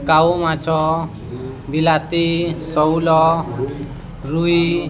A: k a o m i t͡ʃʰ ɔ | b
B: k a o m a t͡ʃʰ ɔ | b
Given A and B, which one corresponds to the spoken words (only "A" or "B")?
B